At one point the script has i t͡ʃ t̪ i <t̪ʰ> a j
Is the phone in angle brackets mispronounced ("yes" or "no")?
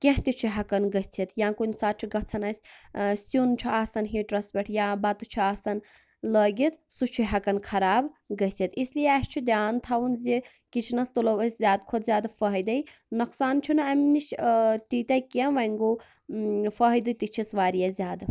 yes